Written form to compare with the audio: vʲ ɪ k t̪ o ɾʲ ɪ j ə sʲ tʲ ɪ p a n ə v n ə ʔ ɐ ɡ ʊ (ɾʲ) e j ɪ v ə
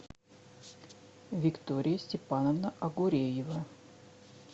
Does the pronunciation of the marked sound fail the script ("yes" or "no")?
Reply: no